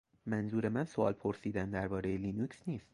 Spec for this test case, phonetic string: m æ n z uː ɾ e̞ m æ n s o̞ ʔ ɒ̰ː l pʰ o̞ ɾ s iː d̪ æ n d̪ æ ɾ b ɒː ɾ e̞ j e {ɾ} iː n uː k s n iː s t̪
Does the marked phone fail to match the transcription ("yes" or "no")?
yes